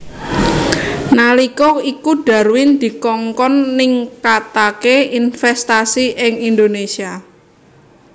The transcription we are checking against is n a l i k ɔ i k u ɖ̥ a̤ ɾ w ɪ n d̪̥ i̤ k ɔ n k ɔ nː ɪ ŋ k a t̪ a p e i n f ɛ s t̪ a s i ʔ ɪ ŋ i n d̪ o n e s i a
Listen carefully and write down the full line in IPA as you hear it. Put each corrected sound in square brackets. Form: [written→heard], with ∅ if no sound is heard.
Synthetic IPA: n a l i k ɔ i k u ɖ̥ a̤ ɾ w ɪ n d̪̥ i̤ k ɔ [n→ŋ] k ɔ nː ɪ ŋ k a t̪ a [p→k] e i n f ɛ s t̪ a s i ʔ ɪ ŋ i n d̪ o n e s i a